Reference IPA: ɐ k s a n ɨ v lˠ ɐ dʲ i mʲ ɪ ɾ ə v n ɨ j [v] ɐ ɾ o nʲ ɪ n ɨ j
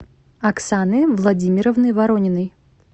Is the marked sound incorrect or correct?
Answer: correct